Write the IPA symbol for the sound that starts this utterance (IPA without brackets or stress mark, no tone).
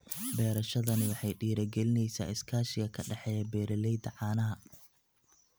b